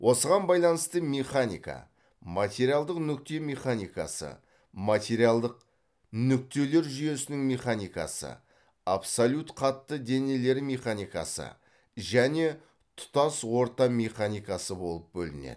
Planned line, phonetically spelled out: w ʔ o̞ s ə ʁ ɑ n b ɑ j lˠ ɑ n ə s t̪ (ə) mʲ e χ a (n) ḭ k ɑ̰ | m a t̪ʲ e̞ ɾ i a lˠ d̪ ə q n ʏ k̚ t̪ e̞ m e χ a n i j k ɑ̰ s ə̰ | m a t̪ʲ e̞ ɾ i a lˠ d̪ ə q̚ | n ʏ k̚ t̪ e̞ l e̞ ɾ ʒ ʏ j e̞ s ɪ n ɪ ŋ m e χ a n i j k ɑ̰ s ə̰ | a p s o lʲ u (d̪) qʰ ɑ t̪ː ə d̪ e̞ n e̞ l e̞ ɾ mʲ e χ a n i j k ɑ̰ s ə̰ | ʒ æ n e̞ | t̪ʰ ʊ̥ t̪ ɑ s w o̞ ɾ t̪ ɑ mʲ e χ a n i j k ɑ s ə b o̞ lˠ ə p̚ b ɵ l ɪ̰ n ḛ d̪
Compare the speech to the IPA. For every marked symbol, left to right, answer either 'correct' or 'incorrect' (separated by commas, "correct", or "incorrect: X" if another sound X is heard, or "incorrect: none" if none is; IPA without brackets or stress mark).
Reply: correct, correct, incorrect: t̪